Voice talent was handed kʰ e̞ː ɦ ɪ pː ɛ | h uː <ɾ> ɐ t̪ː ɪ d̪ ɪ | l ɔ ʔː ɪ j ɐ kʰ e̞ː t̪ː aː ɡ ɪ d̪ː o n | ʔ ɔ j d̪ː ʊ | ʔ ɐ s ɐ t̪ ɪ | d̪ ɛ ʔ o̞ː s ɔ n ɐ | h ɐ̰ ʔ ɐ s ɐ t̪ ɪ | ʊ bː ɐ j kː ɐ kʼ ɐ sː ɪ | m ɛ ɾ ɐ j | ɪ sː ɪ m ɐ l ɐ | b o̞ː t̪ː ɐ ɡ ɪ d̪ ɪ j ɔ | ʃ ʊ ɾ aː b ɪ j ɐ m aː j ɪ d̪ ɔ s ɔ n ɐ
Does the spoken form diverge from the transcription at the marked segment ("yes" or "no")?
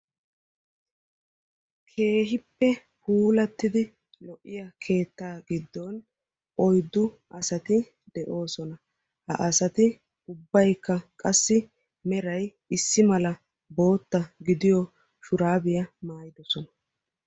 yes